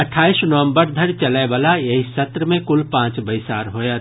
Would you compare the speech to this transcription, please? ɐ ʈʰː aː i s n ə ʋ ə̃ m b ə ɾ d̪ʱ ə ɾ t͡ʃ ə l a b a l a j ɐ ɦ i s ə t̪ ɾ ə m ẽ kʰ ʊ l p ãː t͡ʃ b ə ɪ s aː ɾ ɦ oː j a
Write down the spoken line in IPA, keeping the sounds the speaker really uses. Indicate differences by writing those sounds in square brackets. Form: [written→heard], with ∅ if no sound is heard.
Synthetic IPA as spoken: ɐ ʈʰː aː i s n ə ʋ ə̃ m b ə ɾ d̪ʱ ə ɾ t͡ʃ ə l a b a l a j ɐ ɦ i s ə t̪ ɾ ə m ẽ [kʰ→k] ʊ l p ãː t͡ʃ b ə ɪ s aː ɾ ɦ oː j a